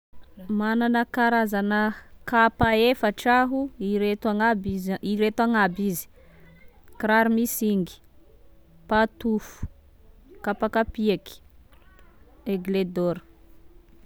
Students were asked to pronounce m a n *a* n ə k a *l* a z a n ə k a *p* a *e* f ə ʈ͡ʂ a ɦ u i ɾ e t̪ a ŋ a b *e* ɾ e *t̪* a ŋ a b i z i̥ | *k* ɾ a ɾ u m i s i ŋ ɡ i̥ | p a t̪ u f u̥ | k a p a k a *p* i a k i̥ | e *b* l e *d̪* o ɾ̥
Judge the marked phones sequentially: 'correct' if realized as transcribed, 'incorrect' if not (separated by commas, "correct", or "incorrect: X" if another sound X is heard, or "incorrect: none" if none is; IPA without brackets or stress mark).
correct, incorrect: ɾ, correct, correct, incorrect: i, correct, correct, correct, incorrect: ɡ, correct